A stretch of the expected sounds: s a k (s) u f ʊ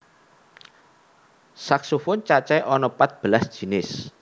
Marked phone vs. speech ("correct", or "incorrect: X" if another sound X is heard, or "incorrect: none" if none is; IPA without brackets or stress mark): correct